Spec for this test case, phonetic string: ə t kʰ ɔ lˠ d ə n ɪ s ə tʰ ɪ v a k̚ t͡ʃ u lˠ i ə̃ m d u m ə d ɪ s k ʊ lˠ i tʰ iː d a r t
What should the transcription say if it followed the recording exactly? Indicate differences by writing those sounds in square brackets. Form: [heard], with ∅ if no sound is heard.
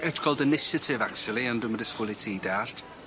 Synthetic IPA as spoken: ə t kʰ ɔ lˠ d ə n ɪ [ʃ] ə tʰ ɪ v a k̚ t͡ʃ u lˠ i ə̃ [n] d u m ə d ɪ s k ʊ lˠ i tʰ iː d a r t